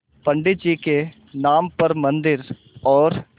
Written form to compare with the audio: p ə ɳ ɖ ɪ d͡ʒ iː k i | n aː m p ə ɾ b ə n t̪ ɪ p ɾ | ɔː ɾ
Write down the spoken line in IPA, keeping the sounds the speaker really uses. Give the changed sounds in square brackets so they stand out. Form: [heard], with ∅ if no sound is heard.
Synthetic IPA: p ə ɳ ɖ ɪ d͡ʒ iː k [e] | n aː m p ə ɾ [m] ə n [d̪] ɪ [∅] ɾ | ɔː ɾ